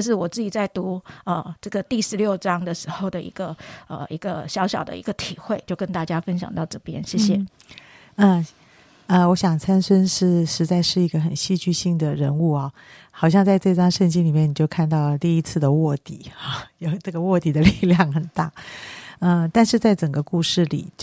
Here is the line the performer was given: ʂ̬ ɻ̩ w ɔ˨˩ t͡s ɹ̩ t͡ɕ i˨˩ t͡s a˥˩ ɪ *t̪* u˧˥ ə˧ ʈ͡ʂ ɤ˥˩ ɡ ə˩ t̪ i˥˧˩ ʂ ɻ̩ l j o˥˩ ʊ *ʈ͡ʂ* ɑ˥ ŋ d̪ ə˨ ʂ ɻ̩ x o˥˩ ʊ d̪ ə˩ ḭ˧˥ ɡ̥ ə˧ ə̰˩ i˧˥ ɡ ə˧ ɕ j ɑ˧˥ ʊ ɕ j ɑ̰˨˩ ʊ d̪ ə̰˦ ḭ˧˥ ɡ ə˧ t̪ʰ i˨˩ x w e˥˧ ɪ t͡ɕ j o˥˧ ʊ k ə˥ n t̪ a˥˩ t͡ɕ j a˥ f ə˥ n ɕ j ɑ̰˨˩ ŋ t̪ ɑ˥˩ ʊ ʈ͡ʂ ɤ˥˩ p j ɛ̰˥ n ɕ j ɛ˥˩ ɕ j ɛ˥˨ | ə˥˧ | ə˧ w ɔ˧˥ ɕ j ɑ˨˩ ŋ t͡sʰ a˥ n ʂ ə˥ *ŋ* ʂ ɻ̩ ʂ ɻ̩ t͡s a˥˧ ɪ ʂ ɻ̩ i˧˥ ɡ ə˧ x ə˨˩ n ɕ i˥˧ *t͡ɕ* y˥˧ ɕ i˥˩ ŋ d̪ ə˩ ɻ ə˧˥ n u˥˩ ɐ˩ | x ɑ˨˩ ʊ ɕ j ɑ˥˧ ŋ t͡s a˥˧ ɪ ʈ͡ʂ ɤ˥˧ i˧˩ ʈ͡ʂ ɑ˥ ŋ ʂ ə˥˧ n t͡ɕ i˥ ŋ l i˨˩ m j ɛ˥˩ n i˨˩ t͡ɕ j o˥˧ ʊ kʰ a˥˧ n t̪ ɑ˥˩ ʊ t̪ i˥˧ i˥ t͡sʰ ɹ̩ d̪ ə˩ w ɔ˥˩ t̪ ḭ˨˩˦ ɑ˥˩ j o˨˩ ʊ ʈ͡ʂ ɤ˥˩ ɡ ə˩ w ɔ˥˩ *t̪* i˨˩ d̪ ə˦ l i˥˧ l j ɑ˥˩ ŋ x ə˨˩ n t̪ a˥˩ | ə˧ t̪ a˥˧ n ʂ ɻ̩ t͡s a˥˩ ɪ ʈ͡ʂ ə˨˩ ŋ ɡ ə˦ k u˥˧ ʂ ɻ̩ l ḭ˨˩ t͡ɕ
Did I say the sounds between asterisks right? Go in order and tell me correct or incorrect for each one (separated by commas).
correct, correct, incorrect, correct, correct